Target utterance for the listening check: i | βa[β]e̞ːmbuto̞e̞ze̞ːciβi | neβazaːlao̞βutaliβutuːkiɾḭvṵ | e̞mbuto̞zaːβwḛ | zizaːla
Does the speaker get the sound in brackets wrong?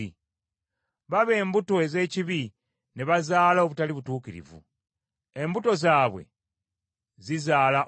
no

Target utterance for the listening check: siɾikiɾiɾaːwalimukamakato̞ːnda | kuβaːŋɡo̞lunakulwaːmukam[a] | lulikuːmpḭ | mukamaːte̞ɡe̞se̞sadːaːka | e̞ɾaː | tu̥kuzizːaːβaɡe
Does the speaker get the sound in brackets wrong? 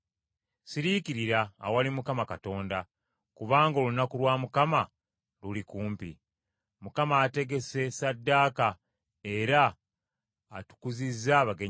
no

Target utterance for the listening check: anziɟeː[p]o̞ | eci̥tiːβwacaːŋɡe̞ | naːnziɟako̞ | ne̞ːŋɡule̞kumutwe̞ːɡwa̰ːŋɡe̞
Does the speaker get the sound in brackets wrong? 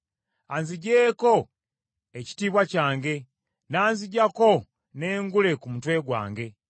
yes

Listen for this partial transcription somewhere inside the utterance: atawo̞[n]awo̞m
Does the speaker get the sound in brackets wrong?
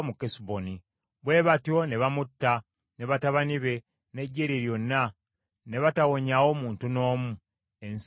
yes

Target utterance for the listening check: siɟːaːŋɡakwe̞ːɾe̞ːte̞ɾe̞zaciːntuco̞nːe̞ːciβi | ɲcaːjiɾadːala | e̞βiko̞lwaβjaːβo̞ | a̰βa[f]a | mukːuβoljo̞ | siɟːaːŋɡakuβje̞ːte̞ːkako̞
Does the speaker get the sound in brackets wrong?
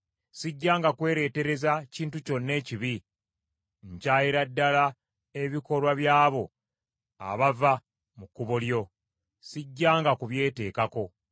yes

